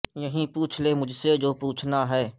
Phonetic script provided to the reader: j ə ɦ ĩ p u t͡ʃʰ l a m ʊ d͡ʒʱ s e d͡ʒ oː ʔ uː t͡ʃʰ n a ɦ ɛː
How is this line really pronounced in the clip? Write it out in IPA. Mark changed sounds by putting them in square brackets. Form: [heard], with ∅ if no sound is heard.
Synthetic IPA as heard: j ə ɦ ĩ p [uː] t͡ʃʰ l [e] m ʊ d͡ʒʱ s e d͡ʒ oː [p] uː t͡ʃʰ n a ɦ ɛː

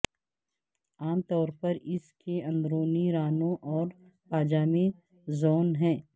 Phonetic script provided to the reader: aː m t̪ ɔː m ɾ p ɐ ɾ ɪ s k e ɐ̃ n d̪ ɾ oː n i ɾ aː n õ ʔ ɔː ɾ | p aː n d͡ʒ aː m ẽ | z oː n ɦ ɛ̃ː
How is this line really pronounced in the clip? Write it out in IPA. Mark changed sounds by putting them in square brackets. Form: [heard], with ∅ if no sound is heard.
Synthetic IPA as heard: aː m t̪ ɔː [∅] ɾ p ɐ ɾ ɪ s k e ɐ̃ n d̪ ɾ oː n i ɾ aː n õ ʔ ɔː ɾ | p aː [∅] d͡ʒ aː m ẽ | z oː n ɦ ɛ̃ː

